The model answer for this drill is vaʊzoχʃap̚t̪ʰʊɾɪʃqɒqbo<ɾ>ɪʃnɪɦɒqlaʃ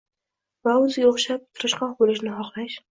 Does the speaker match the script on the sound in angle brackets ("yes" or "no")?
no